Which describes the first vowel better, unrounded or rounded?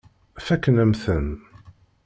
unrounded